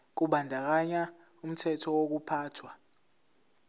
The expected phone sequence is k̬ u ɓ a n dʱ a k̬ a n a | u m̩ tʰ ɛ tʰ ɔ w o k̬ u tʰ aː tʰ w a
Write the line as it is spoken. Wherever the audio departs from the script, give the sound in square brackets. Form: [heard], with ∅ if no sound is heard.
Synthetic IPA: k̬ u ɓ a n dʱ a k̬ a [ɲ] a | u m̩ tʰ ɛ tʰ ɔ w o k̬ u [pʰ] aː tʰ w a